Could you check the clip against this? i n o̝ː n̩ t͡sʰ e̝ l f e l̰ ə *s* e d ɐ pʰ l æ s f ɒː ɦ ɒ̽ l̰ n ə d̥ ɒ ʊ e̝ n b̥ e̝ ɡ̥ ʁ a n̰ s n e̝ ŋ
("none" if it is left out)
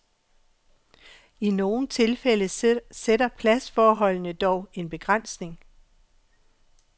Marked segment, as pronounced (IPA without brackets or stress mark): s